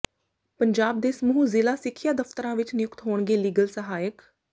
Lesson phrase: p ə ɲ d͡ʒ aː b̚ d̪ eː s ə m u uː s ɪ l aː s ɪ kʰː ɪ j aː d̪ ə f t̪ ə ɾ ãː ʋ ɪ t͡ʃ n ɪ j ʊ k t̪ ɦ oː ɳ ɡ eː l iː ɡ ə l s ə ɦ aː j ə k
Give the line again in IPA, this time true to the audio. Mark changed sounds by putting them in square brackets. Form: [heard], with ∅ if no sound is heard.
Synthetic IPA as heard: p ə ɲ d͡ʒ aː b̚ d̪ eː s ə m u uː [z] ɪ l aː s ɪ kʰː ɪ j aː d̪ ə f t̪ ə ɾ ãː ʋ ɪ t͡ʃ n ɪ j ʊ k t̪ ɦ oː ɳ ɡ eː l iː ɡ ə l s ə ɦ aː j ə k